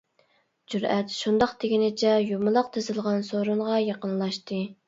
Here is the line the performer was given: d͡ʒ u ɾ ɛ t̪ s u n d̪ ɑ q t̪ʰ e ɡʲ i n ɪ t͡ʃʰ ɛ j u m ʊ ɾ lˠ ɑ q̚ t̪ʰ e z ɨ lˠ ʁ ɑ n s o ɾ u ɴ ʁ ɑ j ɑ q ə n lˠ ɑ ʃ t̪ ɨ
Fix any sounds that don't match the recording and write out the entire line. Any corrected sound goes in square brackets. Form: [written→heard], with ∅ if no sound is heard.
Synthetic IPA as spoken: d͡ʒ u ɾ ɛ t̪ [s→ʃ] u n d̪ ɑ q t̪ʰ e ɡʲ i n ɪ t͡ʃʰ ɛ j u m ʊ [ɾ→∅] lˠ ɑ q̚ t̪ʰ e z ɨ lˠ ʁ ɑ n s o ɾ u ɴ ʁ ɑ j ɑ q ə n lˠ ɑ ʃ t̪ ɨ

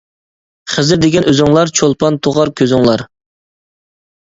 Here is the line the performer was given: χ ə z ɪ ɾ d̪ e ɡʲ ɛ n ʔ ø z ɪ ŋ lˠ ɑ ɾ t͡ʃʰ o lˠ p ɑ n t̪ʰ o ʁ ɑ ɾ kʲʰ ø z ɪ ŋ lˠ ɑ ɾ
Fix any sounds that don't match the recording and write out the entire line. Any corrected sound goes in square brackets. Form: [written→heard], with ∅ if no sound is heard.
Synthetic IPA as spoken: χ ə z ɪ ɾ d̪ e ɡʲ ɛ n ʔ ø z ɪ ŋ lˠ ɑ ɾ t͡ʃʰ o lˠ p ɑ n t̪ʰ o ʁ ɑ ɾ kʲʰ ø z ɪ ŋ lˠ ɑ ɾ

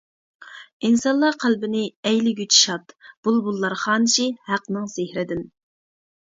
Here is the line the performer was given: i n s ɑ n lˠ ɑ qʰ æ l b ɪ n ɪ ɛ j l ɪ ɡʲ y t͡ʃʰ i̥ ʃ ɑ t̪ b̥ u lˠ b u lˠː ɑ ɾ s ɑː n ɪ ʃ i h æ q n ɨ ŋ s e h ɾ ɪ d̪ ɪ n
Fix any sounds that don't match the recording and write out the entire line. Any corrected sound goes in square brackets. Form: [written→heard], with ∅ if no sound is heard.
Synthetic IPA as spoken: i n s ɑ n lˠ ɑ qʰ æ l b ɪ n ɪ ɛ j l ɪ ɡʲ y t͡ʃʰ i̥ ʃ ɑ t̪ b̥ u lˠ b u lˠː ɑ ɾ [s→χ] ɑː n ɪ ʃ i h æ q n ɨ ŋ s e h ɾ ɪ d̪ ɪ n

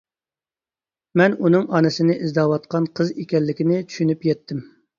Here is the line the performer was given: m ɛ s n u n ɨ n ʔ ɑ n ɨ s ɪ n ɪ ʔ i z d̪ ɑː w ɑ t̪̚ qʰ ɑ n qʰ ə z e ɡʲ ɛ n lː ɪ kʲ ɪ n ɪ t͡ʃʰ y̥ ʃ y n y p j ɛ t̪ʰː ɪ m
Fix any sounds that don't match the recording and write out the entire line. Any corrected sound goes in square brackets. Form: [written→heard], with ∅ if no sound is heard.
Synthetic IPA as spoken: m ɛ [s→∅] n u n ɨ [n→ŋ] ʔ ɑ n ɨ s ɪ n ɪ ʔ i z d̪ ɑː w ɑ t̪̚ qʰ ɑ n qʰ ə z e [ɡʲ→kʲ] ɛ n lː ɪ kʲ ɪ n ɪ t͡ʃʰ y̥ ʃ y n y p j ɛ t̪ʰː ɪ m

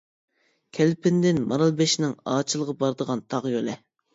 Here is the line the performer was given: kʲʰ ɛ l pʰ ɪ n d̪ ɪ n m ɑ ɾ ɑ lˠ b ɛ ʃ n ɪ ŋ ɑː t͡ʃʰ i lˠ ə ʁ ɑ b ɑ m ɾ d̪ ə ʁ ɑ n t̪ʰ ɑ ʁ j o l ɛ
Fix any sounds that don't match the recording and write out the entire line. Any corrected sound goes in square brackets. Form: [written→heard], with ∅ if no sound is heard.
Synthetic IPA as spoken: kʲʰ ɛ l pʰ ɪ n d̪ ɪ n m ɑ ɾ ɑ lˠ b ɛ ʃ n ɪ ŋ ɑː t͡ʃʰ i lˠ ə ʁ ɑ b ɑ [m→∅] ɾ d̪ ə ʁ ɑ n t̪ʰ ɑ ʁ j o l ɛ

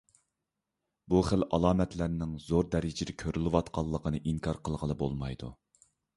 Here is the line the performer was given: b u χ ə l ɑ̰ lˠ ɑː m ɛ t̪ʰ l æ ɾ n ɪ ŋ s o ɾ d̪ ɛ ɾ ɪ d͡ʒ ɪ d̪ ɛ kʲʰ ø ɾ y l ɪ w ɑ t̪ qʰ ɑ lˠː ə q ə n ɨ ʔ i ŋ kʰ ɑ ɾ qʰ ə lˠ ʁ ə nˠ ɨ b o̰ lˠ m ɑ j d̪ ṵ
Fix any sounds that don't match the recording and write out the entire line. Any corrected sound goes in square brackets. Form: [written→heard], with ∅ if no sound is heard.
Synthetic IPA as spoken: b u χ ə l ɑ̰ lˠ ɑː m ɛ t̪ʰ l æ ɾ n ɪ ŋ [s→z] o ɾ d̪ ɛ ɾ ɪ d͡ʒ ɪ d̪ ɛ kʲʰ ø ɾ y l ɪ w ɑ t̪ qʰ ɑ lˠː ə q ə n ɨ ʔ i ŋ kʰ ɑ ɾ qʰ ə lˠ ʁ ə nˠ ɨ b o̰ lˠ m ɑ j d̪ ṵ

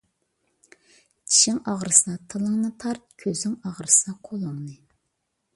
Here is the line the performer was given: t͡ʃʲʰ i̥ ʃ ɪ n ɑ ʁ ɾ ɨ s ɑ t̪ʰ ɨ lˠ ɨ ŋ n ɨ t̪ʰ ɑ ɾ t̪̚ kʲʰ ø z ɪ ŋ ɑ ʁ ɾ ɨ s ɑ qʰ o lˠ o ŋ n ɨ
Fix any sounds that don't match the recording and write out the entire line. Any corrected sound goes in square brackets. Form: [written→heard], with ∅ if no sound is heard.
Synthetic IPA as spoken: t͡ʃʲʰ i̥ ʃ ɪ [n→ŋ] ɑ ʁ ɾ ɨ s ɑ t̪ʰ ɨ lˠ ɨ ŋ n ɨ t̪ʰ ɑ ɾ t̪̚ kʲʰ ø z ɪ ŋ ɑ ʁ ɾ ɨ s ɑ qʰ o lˠ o ŋ n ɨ

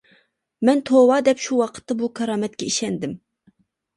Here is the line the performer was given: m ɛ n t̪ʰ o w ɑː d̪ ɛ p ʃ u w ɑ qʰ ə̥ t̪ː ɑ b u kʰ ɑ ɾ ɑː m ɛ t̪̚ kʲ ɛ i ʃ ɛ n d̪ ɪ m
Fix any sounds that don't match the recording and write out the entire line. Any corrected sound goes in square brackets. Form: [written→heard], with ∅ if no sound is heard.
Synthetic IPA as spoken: m ɛ n t̪ʰ o w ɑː d̪ ɛ p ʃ u w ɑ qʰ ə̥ t̪ː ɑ b u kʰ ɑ ɾ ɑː m ɛ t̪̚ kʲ ɛ i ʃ ɛ n d̪ ɪ m

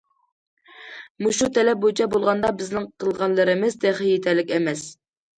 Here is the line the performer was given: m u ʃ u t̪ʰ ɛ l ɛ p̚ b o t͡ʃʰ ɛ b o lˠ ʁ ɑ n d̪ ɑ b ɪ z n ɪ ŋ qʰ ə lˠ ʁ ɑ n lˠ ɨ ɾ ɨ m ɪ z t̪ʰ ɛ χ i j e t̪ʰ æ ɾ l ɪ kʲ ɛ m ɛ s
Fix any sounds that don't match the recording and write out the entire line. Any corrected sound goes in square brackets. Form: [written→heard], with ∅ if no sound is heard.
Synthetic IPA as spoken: m u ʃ u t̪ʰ ɛ l ɛ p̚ b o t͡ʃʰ ɛ b o lˠ ʁ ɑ n d̪ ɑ b ɪ z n ɪ ŋ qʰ ə lˠ ʁ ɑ n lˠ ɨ ɾ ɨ m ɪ z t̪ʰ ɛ χ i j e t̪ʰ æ ɾ l ɪ kʲ ɛ m ɛ s

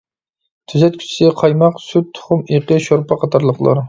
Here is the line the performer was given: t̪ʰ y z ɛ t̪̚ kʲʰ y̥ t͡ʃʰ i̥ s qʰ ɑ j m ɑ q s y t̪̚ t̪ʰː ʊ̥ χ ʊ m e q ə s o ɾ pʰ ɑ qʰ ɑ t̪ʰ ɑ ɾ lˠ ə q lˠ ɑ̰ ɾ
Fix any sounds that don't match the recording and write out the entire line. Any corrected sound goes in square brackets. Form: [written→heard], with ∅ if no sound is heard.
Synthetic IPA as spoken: t̪ʰ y z ɛ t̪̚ kʲʰ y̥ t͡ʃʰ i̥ s qʰ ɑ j m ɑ q s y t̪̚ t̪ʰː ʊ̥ χ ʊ m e q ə [s→ʃ] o ɾ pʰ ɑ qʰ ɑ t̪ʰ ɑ ɾ lˠ ə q lˠ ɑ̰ ɾ

